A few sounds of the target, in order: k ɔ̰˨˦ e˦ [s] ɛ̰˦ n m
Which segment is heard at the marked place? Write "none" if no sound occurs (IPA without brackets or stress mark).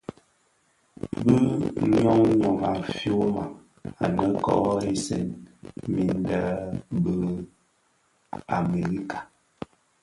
s